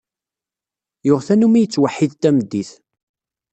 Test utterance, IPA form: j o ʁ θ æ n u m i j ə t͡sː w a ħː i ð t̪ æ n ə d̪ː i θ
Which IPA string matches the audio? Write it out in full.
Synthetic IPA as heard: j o ʁ θ æ n u m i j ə t͡sː w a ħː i ð t̪ æ m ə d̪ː i θ